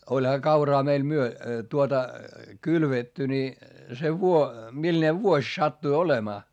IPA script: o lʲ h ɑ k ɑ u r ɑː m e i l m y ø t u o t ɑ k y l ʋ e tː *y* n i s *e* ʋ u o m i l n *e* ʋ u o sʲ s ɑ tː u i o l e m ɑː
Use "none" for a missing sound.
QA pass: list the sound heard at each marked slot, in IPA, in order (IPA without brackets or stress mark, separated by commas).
y, e, e